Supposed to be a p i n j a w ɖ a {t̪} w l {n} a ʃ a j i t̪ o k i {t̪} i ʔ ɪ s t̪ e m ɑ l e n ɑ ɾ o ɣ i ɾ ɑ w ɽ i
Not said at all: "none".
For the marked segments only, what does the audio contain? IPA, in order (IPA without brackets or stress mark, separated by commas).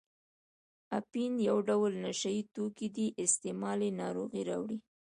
none, n, d̪